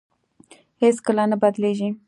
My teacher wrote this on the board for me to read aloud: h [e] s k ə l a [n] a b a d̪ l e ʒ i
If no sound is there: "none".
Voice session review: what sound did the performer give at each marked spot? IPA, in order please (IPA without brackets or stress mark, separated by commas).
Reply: e, n